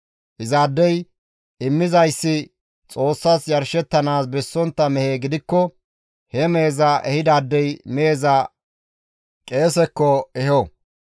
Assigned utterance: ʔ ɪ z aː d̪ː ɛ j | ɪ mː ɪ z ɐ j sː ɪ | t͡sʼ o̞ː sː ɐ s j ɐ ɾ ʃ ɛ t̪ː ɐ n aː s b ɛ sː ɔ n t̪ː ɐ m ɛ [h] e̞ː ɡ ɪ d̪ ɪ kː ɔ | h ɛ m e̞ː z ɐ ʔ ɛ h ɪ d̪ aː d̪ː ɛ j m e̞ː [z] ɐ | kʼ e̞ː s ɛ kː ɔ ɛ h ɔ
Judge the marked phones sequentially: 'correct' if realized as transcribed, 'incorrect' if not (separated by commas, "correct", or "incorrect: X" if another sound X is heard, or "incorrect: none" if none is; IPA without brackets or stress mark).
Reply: correct, correct